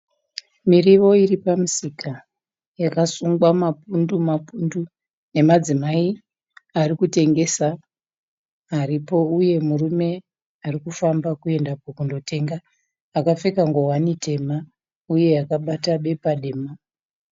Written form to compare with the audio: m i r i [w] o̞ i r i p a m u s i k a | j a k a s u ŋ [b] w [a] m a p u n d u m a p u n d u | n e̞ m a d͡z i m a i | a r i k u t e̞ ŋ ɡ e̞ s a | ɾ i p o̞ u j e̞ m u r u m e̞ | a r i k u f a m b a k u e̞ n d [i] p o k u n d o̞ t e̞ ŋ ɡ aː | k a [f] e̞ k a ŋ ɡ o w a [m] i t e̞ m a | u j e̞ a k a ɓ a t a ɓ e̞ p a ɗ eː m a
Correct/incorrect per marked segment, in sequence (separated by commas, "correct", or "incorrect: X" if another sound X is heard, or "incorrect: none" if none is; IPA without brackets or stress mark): incorrect: ʋ, incorrect: ɡ, correct, incorrect: a, correct, incorrect: n